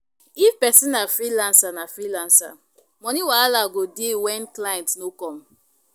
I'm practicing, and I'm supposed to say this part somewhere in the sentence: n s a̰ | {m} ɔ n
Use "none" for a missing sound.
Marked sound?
m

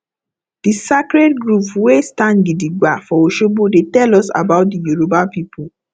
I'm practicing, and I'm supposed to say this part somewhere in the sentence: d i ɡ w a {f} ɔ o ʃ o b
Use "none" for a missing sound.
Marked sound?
f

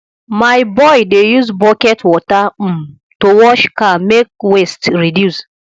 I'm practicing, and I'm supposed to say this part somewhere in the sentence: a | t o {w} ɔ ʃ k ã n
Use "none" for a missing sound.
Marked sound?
w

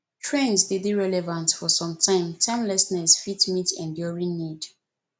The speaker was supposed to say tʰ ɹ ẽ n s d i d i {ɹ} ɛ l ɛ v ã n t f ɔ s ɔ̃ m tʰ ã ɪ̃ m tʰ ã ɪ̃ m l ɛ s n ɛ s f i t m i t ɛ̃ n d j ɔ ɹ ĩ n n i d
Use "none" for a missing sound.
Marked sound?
ɹ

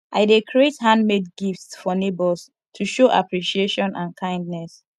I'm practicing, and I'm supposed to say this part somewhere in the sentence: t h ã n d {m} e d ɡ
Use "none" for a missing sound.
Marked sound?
m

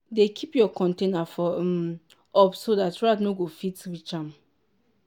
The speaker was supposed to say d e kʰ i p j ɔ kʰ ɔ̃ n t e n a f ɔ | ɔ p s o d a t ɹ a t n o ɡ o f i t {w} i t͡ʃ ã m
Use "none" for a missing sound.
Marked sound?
w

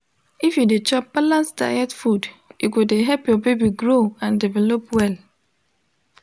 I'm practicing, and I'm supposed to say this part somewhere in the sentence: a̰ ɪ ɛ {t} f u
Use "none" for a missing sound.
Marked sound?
t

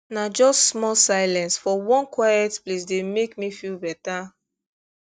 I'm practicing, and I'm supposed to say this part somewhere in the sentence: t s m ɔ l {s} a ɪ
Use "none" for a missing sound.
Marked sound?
s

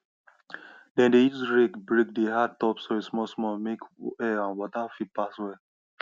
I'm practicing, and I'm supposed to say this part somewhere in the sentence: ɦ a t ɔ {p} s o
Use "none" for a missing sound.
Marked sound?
p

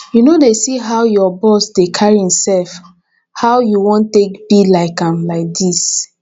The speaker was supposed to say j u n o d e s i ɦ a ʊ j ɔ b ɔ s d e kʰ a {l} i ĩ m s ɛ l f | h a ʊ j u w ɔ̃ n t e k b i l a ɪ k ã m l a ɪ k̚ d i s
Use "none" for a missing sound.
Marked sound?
ɹ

